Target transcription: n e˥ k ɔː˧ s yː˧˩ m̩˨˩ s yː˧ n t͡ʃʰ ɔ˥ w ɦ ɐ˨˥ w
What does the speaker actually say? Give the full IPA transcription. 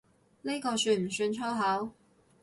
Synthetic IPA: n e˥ k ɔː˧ s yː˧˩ m̩˨˩ s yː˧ n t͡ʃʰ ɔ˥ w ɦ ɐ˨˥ w

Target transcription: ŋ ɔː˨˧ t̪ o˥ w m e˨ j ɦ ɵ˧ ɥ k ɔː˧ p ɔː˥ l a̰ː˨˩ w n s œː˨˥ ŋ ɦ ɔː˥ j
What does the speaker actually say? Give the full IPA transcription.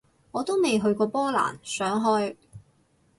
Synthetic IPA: ŋ ɔː˨˧ t̪ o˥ w m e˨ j ɦ ɵ˧ ɥ k ɔː˧ p ɔː˥ l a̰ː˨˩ n s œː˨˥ ŋ ɦ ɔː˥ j

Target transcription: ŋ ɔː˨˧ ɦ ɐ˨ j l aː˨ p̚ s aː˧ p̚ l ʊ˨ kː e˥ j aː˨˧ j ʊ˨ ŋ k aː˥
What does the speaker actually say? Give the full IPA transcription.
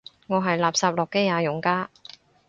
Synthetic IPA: ŋ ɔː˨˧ ɦ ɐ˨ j l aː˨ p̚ s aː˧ p̚ l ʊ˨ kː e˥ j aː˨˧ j ʊ˨ ŋ k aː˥

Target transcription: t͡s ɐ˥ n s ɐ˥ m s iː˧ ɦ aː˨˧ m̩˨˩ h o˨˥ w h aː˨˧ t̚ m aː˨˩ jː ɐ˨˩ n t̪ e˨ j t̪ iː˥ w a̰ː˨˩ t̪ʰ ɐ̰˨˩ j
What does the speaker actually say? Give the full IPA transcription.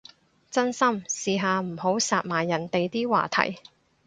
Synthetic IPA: t͡s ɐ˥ n s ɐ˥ m s iː˧ ɦ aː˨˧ m̩˨˩ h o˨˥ w s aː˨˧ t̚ m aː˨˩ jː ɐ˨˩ n t̪ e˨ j t̪ iː˥ w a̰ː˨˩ t̪ʰ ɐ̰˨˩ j

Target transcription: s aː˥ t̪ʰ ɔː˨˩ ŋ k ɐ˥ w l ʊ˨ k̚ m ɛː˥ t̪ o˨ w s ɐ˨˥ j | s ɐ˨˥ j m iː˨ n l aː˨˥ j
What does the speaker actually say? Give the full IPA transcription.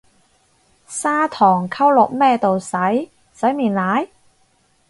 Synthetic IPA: s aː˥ t̪ʰ ɔː˨˩ ŋ kʰ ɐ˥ w l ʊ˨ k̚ m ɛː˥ t̪ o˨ w s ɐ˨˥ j | s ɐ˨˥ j m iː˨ n l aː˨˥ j

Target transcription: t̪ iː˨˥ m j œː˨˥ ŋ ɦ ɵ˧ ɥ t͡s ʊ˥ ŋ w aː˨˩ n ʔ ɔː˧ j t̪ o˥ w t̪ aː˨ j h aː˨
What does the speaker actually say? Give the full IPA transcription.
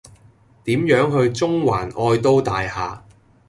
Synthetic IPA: t̪ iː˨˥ m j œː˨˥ ŋ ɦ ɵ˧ ɥ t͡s ʊ˥ ŋ w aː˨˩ n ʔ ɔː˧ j t̪ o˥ w t̪ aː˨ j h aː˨

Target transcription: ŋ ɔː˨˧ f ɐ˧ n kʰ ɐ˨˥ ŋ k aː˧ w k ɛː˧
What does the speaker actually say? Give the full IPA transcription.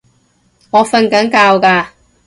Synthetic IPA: ŋ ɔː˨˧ f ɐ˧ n k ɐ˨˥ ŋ k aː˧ w k aː˧

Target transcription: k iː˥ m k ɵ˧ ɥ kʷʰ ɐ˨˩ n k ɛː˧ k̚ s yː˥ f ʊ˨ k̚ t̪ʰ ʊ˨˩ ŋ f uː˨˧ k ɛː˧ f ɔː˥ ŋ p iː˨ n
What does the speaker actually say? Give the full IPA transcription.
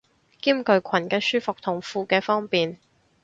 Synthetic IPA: k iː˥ m k ɵ˧ ɥ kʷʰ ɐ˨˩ n k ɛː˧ s yː˥ f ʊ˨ k̚ t̪ʰ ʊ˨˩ ŋ f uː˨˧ k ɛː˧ f ɔː˥ ŋ p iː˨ n

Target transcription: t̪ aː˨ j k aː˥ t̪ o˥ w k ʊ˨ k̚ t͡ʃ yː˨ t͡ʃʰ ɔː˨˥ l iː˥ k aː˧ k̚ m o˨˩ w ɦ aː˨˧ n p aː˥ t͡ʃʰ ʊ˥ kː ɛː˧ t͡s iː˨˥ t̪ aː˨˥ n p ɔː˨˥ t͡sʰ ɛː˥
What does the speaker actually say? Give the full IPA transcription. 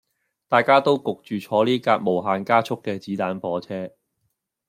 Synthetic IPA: t̪ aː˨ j k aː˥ t̪ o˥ w k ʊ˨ k̚ t͡ʃ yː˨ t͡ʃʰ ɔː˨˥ l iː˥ k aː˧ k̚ m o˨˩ w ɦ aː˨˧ n k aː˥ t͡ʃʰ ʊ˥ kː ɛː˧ t͡s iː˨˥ t̪ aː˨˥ n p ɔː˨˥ t͡sʰ ɛː˥

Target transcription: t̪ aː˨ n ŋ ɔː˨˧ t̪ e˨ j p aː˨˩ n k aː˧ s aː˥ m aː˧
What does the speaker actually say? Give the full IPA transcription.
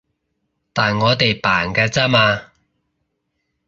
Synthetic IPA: t̪ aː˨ n ŋ ɔː˨˧ t̪ e˨ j p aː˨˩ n k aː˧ t͡s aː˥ m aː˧

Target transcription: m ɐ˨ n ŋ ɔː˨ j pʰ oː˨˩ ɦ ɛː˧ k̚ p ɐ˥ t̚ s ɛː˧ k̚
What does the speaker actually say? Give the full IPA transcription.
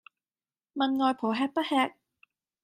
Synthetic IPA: m ɐ˨ n ŋ ɔː˨ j pʰ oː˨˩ ɦ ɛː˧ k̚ p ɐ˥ t̚ h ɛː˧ k̚

